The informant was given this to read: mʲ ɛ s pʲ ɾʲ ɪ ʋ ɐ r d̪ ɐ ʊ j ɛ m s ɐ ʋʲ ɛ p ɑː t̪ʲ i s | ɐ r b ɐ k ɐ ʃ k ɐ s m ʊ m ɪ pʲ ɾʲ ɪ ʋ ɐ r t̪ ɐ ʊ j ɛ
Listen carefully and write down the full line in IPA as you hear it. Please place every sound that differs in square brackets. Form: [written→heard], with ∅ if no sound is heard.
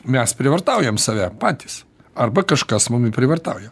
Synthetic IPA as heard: mʲ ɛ s pʲ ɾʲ ɪ ʋ ɐ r [d̪→t̪] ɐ ʊ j ɛ m s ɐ ʋʲ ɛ p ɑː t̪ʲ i s | ɐ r b ɐ k ɐ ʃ k ɐ s m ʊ m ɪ pʲ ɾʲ ɪ ʋ ɐ r t̪ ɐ ʊ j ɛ

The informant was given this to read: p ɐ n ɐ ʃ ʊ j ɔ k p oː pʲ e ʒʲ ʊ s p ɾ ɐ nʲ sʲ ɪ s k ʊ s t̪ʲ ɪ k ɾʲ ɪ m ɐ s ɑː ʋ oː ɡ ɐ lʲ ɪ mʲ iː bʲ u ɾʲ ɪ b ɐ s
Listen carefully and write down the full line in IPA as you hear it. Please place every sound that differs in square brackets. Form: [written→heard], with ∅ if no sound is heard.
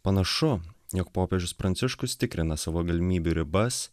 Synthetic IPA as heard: p ɐ n ɐ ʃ ʊ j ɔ k p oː pʲ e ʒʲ ʊ s p ɾ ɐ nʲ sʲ ɪ [s→ʃ] k ʊ s t̪ʲ ɪ k ɾʲ ɪ [m→n] ɐ s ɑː ʋ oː ɡ ɐ lʲ ɪ mʲ iː bʲ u ɾʲ ɪ b ɐ s

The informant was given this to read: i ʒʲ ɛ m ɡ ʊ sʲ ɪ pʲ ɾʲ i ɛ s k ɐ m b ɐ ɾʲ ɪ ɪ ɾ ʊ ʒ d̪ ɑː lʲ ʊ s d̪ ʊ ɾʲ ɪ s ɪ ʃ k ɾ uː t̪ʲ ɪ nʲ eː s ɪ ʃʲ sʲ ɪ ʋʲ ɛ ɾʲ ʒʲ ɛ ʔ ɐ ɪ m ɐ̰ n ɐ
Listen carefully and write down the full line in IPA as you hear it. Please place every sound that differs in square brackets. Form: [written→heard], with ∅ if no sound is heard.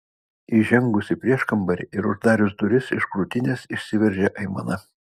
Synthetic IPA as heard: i ʒʲ ɛ [m→ŋ] ɡ ʊ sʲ ɪ pʲ ɾʲ i ɛ [s→ʃ] k ɐ m b ɐ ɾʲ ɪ ɪ ɾ ʊ ʒ d̪ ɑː [lʲ→ɾʲ] ʊ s d̪ ʊ ɾʲ ɪ s ɪ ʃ k ɾ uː t̪ʲ ɪ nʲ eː s ɪ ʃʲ sʲ ɪ ʋʲ ɛ ɾʲ ʒʲ ɛ ʔ ɐ ɪ m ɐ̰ n ɐ

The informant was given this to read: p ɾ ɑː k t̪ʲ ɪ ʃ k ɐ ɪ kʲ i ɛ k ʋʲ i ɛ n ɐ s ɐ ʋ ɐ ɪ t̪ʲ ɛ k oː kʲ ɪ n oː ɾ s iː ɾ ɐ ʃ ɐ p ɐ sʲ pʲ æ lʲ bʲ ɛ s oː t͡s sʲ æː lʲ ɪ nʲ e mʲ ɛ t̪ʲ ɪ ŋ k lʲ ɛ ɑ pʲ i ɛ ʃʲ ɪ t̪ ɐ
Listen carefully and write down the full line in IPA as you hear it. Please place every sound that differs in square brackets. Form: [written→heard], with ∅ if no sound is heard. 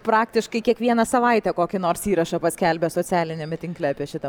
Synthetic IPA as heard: p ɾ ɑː k t̪ʲ ɪ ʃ k ɐ ɪ kʲ i ɛ k ʋʲ i ɛ n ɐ s ɐ ʋ ɐ ɪ t̪ʲ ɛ k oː kʲ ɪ n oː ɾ s iː ɾ ɐ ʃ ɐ p ɐ sʲ [pʲ→kʲ] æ lʲ bʲ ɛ s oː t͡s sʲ æː lʲ ɪ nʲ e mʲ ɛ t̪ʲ ɪ ŋ k lʲ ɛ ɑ pʲ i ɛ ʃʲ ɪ t̪ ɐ

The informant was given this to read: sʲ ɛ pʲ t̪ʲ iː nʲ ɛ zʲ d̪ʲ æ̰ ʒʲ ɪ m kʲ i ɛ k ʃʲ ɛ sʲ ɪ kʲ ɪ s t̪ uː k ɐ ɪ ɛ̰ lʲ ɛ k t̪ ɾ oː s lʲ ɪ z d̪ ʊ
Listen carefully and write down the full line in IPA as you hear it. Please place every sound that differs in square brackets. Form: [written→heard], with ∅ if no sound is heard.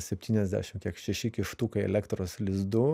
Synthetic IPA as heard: sʲ ɛ pʲ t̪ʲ iː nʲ ɛ zʲ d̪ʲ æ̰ [ʒʲ→ʃʲ] ɪ m kʲ i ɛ k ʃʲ ɛ [sʲ→ʃʲ] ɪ kʲ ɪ [s→ʃ] t̪ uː k ɐ ɪ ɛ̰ lʲ ɛ k t̪ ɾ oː s lʲ ɪ z d̪ ʊ

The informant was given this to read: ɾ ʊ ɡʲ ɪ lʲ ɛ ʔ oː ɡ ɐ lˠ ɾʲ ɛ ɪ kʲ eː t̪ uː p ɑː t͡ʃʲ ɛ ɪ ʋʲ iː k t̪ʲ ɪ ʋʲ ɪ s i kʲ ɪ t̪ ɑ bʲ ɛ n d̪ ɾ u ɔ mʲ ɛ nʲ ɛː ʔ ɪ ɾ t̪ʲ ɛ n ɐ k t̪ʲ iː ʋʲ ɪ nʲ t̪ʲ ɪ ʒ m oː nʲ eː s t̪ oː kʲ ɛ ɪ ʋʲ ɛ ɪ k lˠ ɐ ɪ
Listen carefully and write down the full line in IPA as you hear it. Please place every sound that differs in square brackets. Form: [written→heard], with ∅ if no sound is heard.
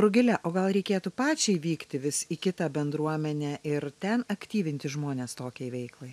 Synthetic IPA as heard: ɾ ʊ ɡʲ ɪ lʲ ɛ ʔ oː ɡ ɐ lˠ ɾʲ ɛ ɪ kʲ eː t̪ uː p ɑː t͡ʃʲ ɛ ɪ ʋʲ iː k t̪ʲ ɪ ʋʲ ɪ s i kʲ ɪ t̪ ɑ bʲ ɛ n d̪ ɾ u ɔ mʲ ɛ nʲ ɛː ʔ ɪ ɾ t̪ʲ ɛ n ɐ k t̪ʲ iː ʋʲ ɪ nʲ t̪ʲ ɪ ʒ m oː nʲ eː s t̪ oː kʲ ɛ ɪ ʋʲ ɛ ɪ k lˠ ɐ ɪ

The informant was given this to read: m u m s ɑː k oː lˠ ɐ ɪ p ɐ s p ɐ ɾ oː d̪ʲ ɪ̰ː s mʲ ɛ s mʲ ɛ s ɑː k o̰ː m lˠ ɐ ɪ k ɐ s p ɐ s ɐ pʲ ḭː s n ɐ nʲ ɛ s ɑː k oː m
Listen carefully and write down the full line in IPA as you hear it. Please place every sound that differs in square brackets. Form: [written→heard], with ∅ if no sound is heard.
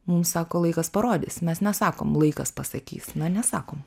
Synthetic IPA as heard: m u m s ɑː k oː lˠ ɐ ɪ [p→k] ɐ s p ɐ ɾ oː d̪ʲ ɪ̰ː s mʲ ɛ s [mʲ→nʲ] ɛ s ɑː k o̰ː m lˠ ɐ ɪ k ɐ s p ɐ s ɐ [pʲ→kʲ] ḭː s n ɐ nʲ ɛ s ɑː k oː m

